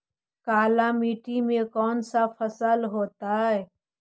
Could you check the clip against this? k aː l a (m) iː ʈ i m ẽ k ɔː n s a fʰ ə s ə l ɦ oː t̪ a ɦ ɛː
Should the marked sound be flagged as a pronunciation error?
no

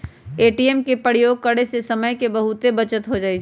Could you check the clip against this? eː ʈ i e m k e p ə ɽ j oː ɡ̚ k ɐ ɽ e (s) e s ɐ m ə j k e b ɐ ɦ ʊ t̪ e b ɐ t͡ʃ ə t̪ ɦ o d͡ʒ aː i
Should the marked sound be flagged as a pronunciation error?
no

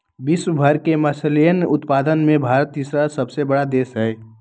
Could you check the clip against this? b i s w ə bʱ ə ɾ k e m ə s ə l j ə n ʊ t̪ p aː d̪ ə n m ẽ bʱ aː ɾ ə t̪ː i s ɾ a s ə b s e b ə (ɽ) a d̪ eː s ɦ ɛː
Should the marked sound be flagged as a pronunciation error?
no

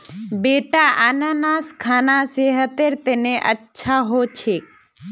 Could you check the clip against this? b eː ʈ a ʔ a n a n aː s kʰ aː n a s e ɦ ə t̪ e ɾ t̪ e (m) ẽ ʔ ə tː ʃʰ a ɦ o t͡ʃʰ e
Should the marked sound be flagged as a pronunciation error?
yes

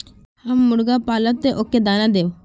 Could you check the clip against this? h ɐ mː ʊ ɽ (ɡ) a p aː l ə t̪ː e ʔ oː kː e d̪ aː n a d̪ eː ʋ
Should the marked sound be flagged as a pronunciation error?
no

